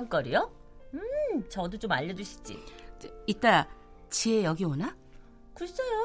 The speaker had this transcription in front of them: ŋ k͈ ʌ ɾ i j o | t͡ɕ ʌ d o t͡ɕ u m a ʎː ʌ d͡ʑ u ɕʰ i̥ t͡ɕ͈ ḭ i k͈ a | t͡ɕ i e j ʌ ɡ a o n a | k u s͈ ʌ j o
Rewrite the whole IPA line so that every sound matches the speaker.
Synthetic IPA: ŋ k͈ ʌ ɾ i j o | t͡ɕ ʌ d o t͡ɕ o m a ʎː ʌ d͡ʑ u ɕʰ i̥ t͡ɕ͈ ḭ i t͈ a | t͡ɕ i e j ʌ ɡ i o n a | k u s͈ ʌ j o